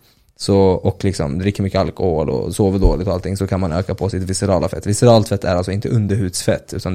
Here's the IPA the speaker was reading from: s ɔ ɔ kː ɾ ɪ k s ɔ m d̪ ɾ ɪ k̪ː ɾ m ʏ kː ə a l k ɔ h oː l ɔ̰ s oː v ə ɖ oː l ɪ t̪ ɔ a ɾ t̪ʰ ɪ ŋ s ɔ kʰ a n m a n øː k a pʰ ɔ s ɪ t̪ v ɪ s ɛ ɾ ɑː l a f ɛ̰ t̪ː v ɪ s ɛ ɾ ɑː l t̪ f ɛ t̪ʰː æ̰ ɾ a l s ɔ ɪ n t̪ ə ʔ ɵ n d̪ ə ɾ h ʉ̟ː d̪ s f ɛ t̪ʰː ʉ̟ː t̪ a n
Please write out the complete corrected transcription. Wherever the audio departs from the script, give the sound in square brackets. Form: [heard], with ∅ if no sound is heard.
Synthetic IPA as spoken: s ɔ ɔ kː [l] ɪ k s ɔ m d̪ ɾ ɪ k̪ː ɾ m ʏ kː ə a l k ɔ h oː l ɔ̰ s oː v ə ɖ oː l ɪ t̪ ɔ a [l] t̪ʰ ɪ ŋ s ɔ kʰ a n m a n øː k a pʰ ɔ s ɪ t̪ v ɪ s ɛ ɾ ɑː l a f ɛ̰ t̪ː v ɪ s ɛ ɾ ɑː l t̪ f ɛ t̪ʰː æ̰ ɾ a l s ɔ ɪ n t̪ ə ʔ ɵ n d̪ ə ɾ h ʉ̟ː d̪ s f ɛ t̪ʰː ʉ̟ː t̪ a n